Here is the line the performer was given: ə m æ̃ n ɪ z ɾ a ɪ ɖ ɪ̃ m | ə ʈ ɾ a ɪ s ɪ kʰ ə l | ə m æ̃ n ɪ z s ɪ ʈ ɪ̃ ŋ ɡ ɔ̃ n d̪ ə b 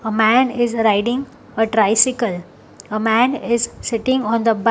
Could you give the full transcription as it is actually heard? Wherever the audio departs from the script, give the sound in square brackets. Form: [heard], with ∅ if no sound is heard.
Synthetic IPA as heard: ə m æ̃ n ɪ z ɾ a ɪ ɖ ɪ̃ [ŋ] | ə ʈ ɾ a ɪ s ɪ [k] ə l | ə m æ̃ n ɪ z s ɪ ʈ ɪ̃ ŋ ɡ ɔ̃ n d̪ ə b